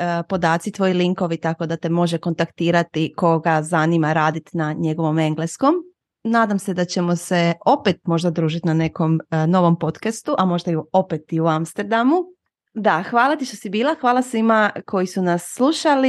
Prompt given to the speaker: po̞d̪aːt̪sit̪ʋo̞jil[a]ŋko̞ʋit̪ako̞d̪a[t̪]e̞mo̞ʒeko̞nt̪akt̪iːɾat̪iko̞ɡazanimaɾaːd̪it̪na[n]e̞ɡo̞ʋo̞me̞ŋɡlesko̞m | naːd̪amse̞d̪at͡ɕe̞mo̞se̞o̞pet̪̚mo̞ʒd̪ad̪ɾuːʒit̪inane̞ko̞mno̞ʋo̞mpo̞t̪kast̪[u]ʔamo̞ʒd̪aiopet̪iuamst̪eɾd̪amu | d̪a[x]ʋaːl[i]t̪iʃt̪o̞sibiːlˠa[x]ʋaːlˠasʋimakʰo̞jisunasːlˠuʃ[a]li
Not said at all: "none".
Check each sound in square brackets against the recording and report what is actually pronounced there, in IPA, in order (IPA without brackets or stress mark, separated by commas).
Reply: i, t̪, ɲ, u, x, a, x, a